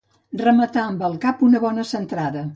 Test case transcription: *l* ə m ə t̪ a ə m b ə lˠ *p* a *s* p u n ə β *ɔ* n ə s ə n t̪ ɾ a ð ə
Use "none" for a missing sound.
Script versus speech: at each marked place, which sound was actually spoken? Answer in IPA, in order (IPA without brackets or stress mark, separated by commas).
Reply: r, k, none, ɔ